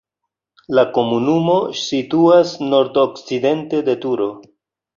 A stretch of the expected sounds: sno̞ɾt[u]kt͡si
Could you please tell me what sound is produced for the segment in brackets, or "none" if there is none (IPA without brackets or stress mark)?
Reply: o